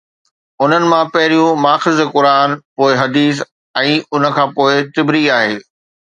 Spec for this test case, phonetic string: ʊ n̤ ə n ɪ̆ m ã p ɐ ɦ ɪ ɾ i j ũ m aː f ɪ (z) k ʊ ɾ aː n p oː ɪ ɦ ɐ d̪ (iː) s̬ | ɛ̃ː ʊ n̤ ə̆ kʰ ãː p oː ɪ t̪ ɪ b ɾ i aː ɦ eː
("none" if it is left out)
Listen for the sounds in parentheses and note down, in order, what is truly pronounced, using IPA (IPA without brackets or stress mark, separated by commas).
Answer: z, iː